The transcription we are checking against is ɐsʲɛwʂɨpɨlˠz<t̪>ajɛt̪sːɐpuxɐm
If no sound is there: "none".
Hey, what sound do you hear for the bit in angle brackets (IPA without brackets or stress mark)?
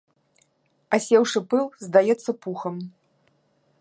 d̪